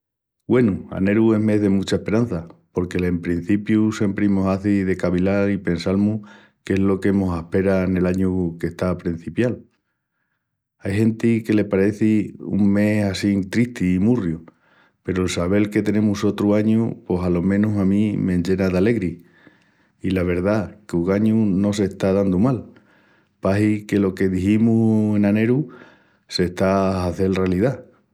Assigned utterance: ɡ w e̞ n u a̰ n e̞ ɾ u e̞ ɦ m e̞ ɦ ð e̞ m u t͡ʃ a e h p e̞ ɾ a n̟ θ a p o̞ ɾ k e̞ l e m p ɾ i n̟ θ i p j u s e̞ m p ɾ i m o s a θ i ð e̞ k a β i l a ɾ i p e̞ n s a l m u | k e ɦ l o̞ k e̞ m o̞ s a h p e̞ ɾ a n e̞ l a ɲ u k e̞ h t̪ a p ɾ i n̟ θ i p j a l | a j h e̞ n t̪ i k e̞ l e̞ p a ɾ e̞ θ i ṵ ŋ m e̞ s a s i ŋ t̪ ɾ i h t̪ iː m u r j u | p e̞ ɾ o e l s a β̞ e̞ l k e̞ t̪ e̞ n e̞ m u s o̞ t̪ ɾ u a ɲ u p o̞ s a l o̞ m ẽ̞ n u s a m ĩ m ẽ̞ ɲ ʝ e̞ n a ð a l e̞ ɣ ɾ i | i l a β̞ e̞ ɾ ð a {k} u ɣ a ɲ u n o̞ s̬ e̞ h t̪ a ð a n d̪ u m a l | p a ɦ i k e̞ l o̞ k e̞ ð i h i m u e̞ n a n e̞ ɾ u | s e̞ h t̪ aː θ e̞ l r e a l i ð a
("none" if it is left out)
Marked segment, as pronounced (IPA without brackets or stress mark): k